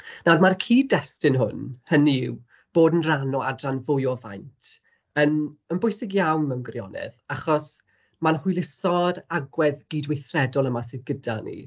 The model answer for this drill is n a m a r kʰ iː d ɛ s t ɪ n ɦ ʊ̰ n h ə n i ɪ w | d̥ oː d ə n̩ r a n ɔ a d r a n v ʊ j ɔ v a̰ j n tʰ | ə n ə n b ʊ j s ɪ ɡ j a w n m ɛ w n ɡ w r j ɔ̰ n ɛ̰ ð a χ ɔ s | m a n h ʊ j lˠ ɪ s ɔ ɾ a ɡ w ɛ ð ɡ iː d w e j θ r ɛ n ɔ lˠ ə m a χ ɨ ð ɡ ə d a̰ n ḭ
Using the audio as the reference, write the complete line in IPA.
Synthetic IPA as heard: n a m a r kʰ iː d ɛ s t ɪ n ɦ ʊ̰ n h ə n i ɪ w | b̥ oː d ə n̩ r a n ɔ a d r a n v ʊ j ɔ v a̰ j n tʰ | ə n ə n b ʊ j s ɪ ɡ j a w n m ɛ w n ɡ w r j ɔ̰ n ɛ̰ ð a χ ɔ s | m a n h ʊ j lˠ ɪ s ɔ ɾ a ɡ w ɛ ð ɡ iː d w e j θ r ɛ d ɔ lˠ ə m a s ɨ ð ɡ ə d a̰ n ḭ